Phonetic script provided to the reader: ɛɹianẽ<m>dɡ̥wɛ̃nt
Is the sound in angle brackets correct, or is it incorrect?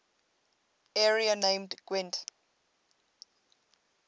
correct